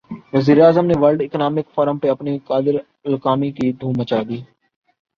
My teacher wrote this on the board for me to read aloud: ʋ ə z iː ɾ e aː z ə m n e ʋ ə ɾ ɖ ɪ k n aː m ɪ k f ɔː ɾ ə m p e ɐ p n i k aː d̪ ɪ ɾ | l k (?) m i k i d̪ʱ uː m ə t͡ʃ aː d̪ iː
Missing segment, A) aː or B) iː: A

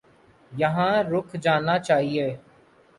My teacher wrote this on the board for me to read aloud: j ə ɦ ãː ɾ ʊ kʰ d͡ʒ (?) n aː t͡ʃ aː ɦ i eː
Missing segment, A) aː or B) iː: A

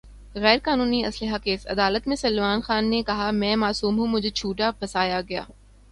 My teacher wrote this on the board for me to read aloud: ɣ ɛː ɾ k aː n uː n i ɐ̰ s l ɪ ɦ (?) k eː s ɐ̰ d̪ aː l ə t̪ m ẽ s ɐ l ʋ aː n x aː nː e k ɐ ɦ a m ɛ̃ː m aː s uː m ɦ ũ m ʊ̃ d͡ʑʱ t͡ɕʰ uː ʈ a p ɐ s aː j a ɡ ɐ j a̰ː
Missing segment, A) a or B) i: A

